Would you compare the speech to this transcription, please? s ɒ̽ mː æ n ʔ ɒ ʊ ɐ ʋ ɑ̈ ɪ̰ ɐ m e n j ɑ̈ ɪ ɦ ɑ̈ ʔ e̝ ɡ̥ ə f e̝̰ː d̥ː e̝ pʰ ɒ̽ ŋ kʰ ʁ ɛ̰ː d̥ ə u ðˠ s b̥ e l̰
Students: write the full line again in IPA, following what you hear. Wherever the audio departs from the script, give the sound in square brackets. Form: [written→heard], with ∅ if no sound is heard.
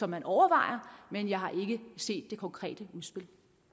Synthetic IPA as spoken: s ɒ̽ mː æ n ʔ ɒ ʊ ɐ ʋ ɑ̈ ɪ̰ ɐ m e n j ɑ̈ ɪ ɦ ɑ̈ ʔ e̝ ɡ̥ ə [f→s] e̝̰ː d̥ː e̝ [pʰ→kʰ] ɒ̽ ŋ kʰ ʁ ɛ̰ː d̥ ə u ðˠ s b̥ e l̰